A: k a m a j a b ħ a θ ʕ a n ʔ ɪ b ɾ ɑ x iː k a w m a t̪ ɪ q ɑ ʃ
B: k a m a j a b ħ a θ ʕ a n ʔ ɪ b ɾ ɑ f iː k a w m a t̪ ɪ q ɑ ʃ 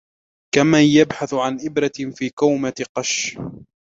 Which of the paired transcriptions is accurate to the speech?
B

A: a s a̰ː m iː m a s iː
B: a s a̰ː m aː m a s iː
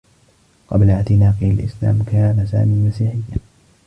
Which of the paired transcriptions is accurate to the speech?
A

